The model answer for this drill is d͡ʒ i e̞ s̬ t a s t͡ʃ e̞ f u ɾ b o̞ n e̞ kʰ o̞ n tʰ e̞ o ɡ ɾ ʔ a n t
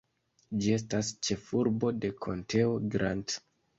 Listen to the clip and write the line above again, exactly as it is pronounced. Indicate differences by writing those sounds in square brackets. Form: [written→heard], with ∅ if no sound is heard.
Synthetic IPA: d͡ʒ i e̞ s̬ t a s t͡ʃ e̞ f u ɾ b o̞ [n→d] e̞ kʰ o̞ n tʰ e̞ o ɡ ɾ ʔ a n t

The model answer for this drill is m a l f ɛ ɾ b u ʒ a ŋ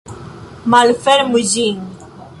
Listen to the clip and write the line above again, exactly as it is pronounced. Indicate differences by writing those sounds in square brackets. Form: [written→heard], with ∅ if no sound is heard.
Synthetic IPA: m a l f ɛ ɾ [b→m] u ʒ [a→i] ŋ

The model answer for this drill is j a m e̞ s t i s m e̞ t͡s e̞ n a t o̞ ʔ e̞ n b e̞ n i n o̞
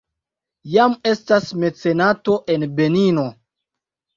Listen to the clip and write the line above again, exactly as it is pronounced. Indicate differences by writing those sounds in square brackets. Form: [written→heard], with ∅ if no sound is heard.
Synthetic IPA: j a m e̞ s t [i→a] s m e̞ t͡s e̞ n a t o̞ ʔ e̞ n b e̞ n i n o̞

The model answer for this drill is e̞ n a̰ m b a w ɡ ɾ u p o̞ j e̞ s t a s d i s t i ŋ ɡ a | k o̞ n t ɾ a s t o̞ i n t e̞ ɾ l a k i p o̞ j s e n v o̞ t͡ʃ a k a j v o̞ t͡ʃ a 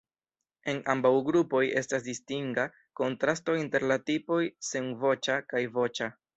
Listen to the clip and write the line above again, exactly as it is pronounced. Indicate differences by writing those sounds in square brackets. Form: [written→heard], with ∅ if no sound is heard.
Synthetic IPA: e̞ n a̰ m b a w ɡ ɾ u p o̞ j e̞ s t a s d i s t i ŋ ɡ a | k o̞ n t ɾ a s t o̞ i n t e̞ ɾ l a [k→t] i p o̞ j s e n v o̞ t͡ʃ a k a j v o̞ t͡ʃ a

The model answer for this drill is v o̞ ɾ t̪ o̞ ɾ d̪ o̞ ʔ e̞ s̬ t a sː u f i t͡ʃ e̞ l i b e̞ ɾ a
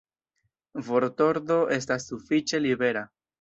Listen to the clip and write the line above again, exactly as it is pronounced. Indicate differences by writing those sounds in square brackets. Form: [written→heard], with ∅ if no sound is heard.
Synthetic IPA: v o̞ ɾ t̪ o̞ ɾ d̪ o̞ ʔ e̞ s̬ t a sː u f i t͡ʃ e̞ l i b e̞ ɾ a

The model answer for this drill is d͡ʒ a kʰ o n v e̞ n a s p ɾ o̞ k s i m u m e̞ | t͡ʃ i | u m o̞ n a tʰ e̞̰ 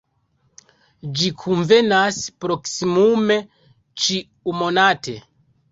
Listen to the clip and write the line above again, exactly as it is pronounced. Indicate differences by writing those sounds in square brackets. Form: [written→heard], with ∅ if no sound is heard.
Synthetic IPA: d͡ʒ [a→i] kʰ [o→u] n v e̞ n a s p ɾ o̞ k s i m u m e̞ | t͡ʃ i | u m o̞ n a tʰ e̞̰

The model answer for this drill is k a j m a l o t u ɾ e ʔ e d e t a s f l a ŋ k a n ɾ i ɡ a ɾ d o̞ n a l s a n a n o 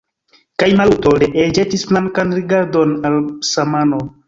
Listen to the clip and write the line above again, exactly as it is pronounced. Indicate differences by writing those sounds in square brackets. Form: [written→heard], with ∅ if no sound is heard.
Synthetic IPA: k a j m a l [o→u] t [u→o] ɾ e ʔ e [d→d͡ʒ] e t [a→i] s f l a ŋ k a n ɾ i ɡ a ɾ d o̞ n a l s a [n→m] a n o

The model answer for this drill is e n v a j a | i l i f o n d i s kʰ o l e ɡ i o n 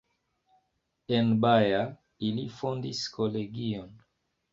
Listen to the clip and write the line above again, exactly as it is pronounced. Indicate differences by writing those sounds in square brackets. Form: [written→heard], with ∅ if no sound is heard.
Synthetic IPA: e n [v→b] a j a | i l i f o n d i s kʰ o l e ɡ i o n

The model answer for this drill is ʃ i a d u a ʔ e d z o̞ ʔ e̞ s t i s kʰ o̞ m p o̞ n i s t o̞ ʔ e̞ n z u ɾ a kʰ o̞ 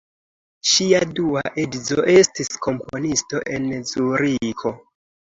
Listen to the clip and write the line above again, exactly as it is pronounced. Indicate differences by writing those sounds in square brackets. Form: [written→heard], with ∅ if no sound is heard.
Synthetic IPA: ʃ i a d u a ʔ e d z o̞ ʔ e̞ s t i s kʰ o̞ m p o̞ n i s t o̞ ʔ e̞ n z u ɾ [a→i] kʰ o̞

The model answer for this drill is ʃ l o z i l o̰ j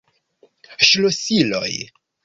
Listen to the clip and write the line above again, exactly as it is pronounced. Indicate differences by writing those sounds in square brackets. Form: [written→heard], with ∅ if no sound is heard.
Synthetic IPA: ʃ l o [z→s] i l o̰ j

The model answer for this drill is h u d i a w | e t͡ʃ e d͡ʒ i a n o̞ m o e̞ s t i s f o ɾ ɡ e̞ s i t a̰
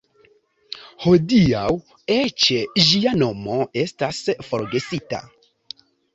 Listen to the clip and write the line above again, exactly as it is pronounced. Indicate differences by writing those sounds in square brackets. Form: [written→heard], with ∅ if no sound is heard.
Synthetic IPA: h [u→o] d i a w | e t͡ʃ e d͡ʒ i a n o̞ m o e̞ s t [i→a] s f o ɾ ɡ e̞ s i t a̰

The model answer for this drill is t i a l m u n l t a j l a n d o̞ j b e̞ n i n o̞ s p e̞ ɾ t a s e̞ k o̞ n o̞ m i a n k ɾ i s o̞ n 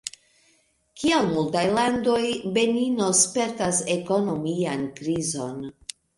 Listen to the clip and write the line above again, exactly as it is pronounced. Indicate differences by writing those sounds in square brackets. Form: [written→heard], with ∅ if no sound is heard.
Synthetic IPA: [t→k] i a l m u [n→∅] l t a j l a n d o̞ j b e̞ n i n o̞ s p e̞ ɾ t a s e̞ k o̞ n o̞ m i a n k ɾ i [s→z] o̞ n

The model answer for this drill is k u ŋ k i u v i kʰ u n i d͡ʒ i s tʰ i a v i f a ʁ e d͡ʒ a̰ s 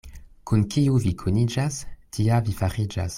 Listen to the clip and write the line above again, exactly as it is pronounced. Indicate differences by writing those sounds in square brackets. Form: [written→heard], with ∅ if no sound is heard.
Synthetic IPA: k u [ŋ→n] k i u v i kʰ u n i d͡ʒ [i→a] s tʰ i a v i f a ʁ [e→i] d͡ʒ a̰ s

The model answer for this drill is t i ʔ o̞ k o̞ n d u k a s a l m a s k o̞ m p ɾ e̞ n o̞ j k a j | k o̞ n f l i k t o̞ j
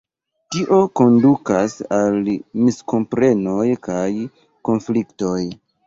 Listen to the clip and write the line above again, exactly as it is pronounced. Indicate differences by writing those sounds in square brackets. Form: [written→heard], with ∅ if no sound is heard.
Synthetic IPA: t i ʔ o̞ k o̞ n d u k a s a l m [a→i] s k o̞ m p ɾ e̞ n o̞ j k a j | k o̞ n f l i k t o̞ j

